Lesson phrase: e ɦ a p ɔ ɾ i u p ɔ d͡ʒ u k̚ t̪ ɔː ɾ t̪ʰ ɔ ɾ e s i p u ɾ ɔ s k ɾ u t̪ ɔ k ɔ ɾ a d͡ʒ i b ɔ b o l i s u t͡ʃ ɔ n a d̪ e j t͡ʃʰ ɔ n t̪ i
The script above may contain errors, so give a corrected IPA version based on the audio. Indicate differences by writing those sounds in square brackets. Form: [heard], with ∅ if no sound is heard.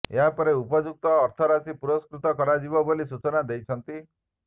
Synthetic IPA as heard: e ɦ a p ɔ ɾ [e] u p ɔ d͡ʒ u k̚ t̪ ɔː ɾ t̪ʰ ɔ ɾ [a] s i p u ɾ ɔ s k ɾ u t̪ ɔ k ɔ ɾ a d͡ʒ i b ɔ b o l i s u t͡ʃ ɔ n a d̪ e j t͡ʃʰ ɔ n t̪ i